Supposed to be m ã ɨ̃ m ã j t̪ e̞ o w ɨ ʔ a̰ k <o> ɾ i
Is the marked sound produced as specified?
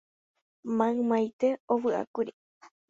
no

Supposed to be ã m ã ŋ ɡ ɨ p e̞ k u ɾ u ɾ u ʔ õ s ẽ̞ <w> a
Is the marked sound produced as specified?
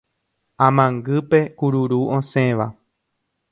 no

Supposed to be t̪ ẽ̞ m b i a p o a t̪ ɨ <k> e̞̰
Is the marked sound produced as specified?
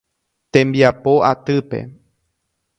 no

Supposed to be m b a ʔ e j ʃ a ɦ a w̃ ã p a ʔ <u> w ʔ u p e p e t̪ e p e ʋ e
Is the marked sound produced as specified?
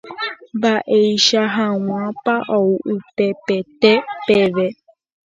no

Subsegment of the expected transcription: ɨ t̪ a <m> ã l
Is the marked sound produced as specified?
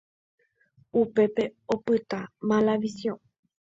yes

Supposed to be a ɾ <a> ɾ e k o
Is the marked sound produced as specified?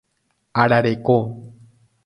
yes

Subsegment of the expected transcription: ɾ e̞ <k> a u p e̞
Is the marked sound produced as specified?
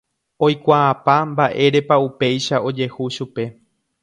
no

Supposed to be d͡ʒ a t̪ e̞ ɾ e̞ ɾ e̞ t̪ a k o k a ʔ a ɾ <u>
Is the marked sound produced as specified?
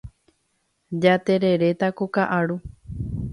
yes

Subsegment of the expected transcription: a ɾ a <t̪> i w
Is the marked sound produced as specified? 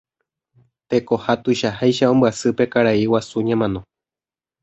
no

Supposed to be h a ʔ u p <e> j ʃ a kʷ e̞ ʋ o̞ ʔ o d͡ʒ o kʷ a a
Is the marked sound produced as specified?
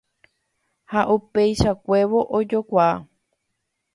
yes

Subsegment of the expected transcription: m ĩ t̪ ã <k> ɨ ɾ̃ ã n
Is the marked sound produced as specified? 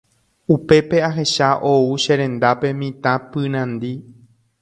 no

